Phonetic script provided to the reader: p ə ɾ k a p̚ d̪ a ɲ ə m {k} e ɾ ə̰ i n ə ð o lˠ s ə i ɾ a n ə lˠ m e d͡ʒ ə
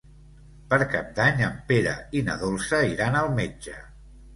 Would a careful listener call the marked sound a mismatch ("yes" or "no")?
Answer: yes